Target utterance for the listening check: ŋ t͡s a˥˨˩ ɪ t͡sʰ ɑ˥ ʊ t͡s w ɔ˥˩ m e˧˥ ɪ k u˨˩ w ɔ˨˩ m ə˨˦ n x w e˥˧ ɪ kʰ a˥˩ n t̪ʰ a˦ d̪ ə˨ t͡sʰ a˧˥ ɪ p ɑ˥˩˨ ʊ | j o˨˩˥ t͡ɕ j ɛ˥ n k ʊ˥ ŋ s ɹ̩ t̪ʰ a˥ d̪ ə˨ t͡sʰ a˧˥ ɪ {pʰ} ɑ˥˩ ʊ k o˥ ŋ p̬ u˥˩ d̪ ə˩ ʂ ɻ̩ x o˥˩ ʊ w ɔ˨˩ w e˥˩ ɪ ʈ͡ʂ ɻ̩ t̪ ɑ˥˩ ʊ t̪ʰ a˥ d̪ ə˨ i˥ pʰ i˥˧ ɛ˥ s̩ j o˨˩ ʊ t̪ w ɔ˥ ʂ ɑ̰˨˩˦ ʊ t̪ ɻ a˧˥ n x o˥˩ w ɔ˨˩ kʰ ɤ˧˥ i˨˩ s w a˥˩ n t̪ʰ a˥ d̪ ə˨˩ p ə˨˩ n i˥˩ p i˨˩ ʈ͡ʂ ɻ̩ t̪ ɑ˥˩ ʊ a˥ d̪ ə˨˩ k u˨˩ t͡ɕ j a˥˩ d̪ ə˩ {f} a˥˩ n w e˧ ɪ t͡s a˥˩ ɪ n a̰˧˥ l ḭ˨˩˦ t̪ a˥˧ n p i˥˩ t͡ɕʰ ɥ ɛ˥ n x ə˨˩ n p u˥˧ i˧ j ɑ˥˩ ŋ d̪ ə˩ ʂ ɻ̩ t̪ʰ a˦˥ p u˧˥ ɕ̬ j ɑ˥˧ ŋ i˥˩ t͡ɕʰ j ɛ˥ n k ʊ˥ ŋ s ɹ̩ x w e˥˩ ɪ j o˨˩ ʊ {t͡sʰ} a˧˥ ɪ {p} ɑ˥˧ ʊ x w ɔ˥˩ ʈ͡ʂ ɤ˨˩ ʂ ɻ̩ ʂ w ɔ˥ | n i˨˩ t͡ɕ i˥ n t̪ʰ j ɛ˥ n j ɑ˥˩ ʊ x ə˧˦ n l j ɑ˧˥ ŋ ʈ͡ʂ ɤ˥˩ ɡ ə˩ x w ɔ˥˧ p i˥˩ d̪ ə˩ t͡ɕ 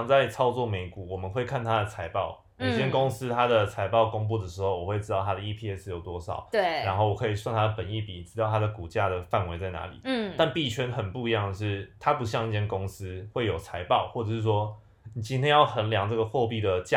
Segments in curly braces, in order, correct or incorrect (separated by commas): incorrect, correct, correct, correct